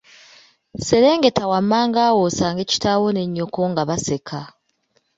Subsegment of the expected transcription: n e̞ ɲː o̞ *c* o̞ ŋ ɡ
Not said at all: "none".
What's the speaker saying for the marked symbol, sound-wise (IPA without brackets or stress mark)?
k